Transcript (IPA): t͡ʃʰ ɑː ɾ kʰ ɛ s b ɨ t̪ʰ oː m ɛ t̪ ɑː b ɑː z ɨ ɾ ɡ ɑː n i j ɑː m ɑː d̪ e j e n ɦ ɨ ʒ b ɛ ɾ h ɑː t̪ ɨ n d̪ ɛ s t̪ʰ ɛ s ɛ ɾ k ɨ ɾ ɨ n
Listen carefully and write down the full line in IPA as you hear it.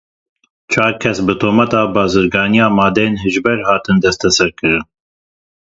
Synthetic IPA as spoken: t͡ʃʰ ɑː ɾ kʰ ɛ s b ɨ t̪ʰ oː m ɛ t̪ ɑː b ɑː z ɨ ɾ ɡ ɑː n i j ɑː m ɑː d̪ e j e n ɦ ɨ ʒ b ɛ ɾ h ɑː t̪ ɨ n d̪ ɛ s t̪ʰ ɛ s ɛ ɾ k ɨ ɾ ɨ n